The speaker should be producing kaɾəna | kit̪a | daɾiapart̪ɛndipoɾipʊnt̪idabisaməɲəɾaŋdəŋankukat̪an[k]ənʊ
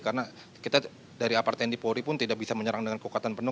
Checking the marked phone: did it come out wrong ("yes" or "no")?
yes